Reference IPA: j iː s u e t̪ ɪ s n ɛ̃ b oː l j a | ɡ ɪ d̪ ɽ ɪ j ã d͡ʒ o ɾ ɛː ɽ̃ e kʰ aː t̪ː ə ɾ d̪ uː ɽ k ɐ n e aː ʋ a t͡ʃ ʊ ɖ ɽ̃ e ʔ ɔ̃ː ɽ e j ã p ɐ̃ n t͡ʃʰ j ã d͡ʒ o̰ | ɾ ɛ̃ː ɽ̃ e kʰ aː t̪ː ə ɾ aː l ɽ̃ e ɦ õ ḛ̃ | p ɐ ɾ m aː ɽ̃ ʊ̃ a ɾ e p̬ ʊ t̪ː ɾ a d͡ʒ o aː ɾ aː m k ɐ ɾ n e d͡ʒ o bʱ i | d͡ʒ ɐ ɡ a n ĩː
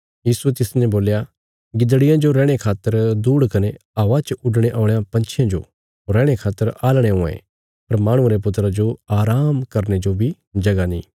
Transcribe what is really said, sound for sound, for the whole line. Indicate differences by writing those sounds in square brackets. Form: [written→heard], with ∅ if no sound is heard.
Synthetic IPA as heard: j iː s u e t̪ ɪ s n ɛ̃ b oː l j a | ɡ ɪ d̪ ɽ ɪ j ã d͡ʒ o ɾ ɛː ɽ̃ e kʰ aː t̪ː ə ɾ d̪ uː ɽ k ɐ n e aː ʋ a t͡ʃ ʊ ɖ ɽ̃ e ʔ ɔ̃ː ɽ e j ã p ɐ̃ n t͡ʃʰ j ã d͡ʒ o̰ | ɾ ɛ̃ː ɽ̃ e kʰ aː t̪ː ə ɾ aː l ɽ̃ e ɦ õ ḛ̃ | p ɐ ɾ m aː ɽ̃ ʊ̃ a ɾ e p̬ ʊ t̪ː ɾ a d͡ʒ o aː ɾ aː m k ɐ ɾ n e d͡ʒ o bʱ i | d͡ʒ ɐ ɡ a n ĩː